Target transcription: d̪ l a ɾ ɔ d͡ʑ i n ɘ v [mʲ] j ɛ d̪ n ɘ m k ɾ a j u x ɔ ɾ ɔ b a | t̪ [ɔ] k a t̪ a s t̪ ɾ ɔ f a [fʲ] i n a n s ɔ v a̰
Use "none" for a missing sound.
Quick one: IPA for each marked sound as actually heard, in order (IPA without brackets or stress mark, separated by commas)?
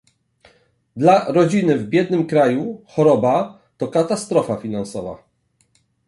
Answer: bʲ, ɔ, fʲ